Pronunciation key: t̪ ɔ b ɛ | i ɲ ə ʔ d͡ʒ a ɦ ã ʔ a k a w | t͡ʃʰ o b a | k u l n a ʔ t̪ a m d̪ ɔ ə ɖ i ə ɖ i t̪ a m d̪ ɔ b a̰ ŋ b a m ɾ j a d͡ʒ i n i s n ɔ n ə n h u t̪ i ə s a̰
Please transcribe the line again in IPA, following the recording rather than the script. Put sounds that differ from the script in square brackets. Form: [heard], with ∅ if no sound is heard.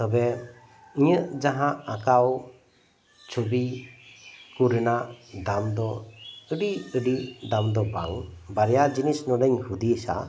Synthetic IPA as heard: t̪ ɔ b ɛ | i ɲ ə ʔ d͡ʒ a ɦ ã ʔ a k a w | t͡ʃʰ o b [i] | k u [ɾ] n a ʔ [d̪] a m d̪ ɔ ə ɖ i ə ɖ i [d̪] a m d̪ ɔ b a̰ ŋ b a [∅] ɾ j a d͡ʒ i n i s n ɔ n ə [ɲ] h u [d̪] i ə s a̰